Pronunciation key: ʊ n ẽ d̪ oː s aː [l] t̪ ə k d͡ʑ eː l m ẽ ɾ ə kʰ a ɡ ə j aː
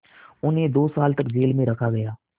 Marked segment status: correct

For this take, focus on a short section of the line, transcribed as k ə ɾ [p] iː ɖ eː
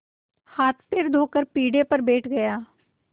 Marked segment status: correct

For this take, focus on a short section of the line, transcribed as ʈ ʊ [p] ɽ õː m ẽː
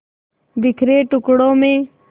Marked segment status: incorrect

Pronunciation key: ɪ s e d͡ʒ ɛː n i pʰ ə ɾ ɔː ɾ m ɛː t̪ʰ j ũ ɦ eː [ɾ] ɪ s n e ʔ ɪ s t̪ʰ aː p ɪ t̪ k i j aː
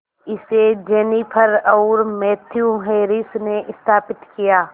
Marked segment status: correct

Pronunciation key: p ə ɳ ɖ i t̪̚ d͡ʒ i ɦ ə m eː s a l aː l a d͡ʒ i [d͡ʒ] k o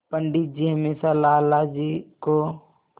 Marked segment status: incorrect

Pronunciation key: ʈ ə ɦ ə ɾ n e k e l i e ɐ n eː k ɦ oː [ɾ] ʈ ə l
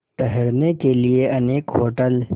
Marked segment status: incorrect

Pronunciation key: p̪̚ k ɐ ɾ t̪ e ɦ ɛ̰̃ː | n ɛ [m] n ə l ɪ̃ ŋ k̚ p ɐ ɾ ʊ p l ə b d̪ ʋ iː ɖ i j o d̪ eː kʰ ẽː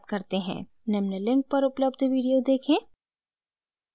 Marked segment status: correct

